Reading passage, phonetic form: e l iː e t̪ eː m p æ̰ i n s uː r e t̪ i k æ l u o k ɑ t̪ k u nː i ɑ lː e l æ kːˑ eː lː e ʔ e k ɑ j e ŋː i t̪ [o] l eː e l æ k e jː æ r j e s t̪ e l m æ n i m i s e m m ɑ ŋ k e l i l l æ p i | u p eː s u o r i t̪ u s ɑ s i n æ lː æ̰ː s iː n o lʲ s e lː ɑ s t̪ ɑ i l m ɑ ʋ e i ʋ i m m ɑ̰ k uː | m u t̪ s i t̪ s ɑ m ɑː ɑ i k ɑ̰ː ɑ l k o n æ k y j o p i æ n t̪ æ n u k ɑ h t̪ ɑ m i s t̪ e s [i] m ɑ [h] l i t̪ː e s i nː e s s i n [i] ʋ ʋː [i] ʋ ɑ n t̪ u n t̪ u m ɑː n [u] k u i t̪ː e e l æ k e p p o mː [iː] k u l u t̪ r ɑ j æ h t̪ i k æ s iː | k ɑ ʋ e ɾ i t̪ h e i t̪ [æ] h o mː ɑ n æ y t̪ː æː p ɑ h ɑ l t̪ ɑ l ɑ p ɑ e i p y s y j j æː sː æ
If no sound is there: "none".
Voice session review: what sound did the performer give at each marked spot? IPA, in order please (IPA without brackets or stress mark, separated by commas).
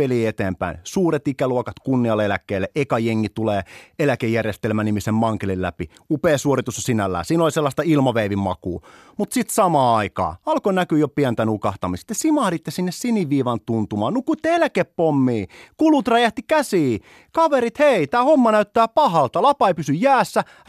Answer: u, i, h, i, iː, u, iː, æː